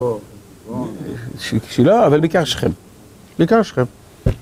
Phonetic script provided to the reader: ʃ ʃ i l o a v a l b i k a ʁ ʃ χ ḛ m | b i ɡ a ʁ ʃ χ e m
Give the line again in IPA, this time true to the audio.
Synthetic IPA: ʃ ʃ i l o a v a l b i k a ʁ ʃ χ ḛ m | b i k a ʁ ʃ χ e m

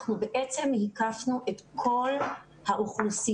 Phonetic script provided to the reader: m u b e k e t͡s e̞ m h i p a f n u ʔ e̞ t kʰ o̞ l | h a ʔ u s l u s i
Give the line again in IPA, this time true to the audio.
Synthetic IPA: n u b e ʔ e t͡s e̞ m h i k a f n u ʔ e̞ t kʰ o̞ l | h a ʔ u χ l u s i

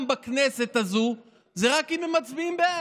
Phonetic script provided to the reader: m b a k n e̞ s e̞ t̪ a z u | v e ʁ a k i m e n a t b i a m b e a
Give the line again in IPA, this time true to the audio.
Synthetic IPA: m b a k n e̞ s e̞ t̪ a z u | z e ʁ a k i m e m a t͡s b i i m b e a

